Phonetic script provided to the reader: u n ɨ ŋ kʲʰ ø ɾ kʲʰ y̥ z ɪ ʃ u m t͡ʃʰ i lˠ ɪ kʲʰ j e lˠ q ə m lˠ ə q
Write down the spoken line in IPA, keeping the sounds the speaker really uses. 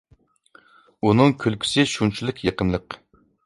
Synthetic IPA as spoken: u n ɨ ŋ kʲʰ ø l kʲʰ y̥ s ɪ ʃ u n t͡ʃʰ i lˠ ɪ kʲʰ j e q ə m lˠ ə q